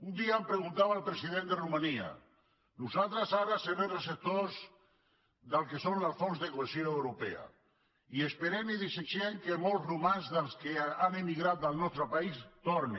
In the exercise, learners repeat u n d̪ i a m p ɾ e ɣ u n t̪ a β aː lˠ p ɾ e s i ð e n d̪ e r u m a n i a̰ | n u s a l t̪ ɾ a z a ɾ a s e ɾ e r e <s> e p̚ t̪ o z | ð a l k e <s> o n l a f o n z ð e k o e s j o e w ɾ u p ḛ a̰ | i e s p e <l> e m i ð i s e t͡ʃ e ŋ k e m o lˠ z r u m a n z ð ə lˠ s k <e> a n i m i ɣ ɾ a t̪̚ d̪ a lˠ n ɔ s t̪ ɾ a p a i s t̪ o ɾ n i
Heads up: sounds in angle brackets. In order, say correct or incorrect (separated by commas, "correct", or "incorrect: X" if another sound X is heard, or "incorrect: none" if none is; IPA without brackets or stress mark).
correct, correct, incorrect: ɾ, correct